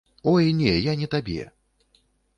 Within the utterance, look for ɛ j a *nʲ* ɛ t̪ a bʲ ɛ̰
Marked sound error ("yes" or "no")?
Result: no